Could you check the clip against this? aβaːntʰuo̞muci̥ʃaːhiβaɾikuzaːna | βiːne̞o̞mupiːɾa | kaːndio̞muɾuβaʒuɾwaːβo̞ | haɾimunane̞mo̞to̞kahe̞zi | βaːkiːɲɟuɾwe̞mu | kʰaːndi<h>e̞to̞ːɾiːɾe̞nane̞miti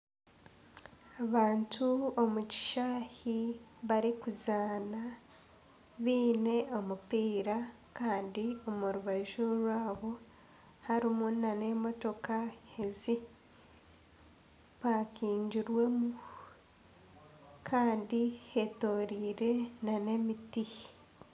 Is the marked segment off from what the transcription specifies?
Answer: no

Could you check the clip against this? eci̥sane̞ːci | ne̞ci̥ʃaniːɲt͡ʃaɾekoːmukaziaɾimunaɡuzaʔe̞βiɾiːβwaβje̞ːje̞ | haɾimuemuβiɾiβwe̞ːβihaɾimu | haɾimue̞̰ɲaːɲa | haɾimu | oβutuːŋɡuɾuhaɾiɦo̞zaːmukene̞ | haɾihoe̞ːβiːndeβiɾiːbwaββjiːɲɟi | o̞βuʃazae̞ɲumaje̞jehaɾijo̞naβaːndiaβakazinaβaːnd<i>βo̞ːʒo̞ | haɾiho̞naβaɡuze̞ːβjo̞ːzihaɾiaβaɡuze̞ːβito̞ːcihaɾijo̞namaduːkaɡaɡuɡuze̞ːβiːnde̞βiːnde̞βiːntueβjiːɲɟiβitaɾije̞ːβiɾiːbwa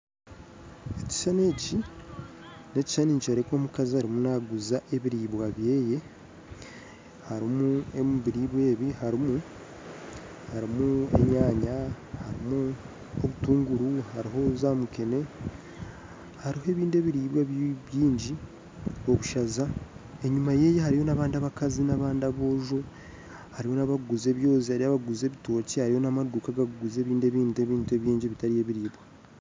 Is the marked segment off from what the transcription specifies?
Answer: yes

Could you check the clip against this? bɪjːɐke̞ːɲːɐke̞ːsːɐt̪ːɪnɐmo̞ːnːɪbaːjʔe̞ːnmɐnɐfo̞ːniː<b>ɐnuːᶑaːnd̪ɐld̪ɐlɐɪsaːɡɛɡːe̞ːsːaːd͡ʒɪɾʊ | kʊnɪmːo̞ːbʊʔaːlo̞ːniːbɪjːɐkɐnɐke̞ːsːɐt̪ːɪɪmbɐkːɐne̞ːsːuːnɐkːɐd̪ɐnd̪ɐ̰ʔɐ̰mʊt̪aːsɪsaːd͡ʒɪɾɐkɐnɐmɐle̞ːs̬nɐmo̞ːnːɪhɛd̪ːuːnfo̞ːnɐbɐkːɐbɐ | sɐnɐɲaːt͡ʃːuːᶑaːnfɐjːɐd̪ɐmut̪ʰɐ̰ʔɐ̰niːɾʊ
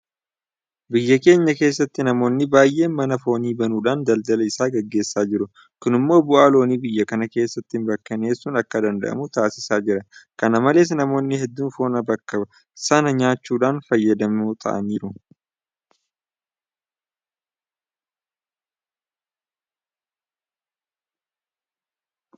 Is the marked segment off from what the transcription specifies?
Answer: no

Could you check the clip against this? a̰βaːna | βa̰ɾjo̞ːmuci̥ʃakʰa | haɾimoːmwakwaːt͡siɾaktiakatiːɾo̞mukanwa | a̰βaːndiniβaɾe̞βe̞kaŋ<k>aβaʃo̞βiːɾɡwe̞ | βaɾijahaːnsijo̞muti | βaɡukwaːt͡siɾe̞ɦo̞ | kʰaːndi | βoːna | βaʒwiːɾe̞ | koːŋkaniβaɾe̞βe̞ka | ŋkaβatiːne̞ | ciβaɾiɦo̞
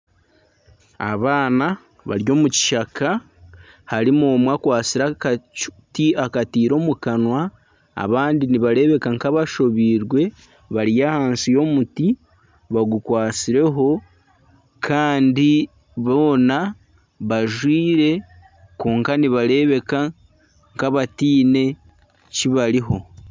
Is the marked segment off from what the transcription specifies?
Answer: no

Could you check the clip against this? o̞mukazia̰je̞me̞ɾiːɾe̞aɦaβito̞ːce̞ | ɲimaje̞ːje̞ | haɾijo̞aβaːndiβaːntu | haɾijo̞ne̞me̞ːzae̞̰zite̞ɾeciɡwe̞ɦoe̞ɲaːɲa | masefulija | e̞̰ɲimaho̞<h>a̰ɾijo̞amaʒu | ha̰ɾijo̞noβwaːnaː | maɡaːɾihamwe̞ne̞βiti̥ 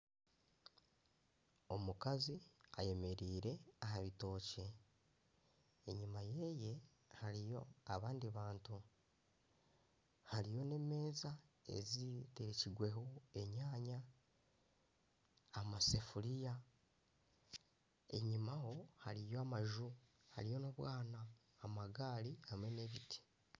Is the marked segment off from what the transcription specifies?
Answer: no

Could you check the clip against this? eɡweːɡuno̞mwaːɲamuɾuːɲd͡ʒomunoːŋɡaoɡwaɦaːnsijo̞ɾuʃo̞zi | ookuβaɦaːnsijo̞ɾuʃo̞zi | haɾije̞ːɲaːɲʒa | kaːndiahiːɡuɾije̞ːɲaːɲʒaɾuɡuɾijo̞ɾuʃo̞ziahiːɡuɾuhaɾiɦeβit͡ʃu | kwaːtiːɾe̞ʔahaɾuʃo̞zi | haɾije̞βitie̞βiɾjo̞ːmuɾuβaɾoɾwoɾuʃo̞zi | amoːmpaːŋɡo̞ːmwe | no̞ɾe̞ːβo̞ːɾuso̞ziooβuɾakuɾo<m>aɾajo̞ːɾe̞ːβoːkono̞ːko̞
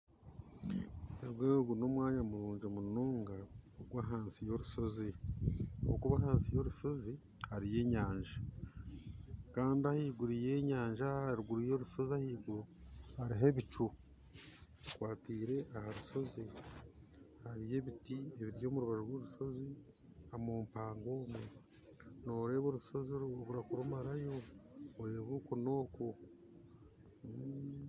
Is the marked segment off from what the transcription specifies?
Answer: no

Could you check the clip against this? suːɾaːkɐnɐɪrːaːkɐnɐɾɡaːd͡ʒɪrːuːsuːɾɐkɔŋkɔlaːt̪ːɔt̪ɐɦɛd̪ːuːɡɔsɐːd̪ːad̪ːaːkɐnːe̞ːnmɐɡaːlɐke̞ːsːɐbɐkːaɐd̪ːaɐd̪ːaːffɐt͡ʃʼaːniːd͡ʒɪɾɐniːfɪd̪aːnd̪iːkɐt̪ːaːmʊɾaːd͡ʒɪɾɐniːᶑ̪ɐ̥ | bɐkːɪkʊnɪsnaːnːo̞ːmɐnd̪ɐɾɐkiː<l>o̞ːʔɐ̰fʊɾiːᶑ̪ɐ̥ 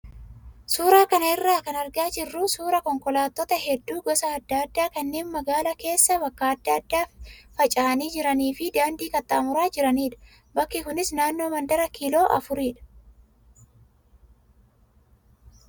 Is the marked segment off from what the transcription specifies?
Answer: no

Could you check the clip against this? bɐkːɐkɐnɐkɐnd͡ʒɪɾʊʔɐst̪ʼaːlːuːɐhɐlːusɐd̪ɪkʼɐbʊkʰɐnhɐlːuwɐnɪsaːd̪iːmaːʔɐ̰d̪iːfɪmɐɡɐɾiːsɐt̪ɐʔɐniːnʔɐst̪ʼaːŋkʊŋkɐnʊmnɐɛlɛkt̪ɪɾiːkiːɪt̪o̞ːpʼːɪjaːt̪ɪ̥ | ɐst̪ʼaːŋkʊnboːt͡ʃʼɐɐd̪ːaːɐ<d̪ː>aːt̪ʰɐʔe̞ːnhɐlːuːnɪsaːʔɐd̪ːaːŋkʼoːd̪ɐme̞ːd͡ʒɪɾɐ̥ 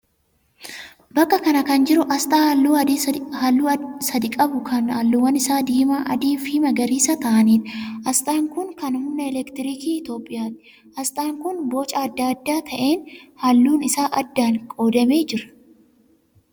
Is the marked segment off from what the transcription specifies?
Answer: no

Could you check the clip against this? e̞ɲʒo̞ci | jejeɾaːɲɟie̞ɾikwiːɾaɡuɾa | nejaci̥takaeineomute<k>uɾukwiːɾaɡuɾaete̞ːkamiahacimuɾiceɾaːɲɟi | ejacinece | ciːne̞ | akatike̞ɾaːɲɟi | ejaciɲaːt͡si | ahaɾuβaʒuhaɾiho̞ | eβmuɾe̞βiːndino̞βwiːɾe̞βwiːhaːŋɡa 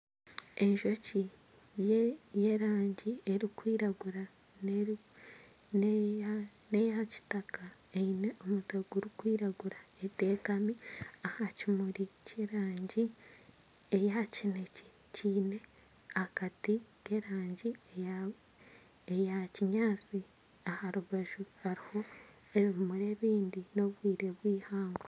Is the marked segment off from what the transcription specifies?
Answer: yes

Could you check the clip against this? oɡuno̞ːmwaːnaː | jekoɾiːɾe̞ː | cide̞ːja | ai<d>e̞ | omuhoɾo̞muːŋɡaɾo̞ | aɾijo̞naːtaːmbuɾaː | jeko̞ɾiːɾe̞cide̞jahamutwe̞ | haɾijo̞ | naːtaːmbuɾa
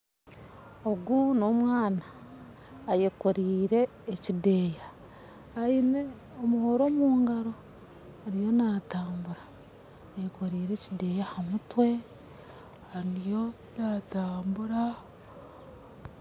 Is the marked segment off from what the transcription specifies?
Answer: yes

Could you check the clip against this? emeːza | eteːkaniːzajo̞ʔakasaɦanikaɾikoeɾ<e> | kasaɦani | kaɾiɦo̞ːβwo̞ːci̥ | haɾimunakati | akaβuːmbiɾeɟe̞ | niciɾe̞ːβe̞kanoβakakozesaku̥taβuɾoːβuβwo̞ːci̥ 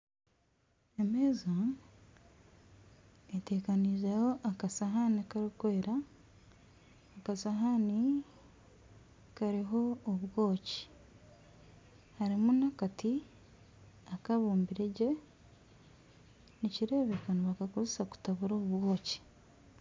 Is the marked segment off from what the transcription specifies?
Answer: yes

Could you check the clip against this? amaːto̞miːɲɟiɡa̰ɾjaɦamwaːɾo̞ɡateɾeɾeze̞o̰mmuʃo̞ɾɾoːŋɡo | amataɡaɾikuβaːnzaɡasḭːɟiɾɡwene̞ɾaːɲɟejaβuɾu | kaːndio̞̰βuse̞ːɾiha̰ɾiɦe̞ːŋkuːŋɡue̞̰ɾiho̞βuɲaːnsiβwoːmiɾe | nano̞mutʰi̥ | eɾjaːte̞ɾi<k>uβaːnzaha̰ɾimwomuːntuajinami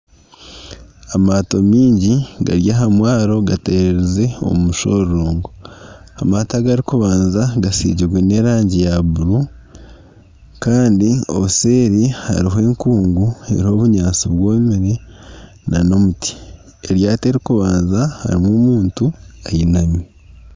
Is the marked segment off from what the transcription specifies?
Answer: no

